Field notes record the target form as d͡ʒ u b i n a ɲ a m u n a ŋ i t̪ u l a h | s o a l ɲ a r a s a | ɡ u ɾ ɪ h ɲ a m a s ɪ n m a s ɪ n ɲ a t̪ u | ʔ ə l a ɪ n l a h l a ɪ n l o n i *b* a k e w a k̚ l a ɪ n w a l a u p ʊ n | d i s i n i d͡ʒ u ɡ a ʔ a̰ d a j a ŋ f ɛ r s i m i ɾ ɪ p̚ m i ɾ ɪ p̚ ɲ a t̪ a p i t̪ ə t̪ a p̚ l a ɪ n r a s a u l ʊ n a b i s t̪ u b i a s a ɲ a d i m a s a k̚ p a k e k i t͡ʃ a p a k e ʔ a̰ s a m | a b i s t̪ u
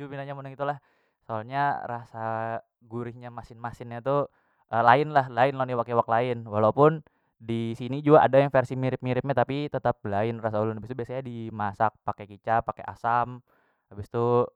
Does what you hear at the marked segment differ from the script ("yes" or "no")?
yes